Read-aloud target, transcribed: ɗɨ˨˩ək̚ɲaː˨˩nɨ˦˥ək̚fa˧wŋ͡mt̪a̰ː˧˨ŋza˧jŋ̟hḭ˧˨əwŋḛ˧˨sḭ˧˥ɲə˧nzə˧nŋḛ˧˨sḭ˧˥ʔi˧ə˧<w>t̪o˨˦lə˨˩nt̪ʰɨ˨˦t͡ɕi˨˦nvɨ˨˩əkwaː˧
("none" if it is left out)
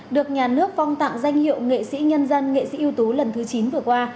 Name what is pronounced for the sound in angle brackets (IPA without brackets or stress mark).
w